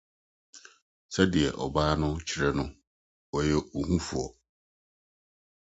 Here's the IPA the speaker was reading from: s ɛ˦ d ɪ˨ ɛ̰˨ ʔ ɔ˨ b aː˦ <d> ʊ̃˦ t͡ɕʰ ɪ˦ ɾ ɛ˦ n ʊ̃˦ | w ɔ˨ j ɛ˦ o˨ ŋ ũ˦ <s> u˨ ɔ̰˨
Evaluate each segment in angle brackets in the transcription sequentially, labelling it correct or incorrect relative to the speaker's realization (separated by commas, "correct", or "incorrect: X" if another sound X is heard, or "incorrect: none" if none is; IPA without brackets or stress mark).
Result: incorrect: n, incorrect: f